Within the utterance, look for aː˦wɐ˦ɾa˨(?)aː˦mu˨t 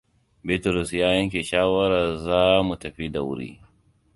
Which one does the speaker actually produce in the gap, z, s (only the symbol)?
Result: z